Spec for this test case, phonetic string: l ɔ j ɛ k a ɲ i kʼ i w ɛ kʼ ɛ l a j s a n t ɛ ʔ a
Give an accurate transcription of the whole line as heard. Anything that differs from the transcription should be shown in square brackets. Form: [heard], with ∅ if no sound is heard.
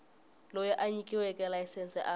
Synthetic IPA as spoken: l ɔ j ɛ [ʔ] a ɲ i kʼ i w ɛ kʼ ɛ l a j s [ɛ] n [s] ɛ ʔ a